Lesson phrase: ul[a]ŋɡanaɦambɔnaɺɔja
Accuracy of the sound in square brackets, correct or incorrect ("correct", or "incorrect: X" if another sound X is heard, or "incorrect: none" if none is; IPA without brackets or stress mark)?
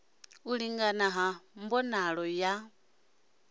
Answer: incorrect: i